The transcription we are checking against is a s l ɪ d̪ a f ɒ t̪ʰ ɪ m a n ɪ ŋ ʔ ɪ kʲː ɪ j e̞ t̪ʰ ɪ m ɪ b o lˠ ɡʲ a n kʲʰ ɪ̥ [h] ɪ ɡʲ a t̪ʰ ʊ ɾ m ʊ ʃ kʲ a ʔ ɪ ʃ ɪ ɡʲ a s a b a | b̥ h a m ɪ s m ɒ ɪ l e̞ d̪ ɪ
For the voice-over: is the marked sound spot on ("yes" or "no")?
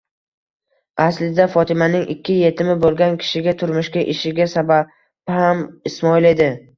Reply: no